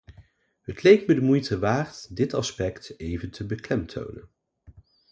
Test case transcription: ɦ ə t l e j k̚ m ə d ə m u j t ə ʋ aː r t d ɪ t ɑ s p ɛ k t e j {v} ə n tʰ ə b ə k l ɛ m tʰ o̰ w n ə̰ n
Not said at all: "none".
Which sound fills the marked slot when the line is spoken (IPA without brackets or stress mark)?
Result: v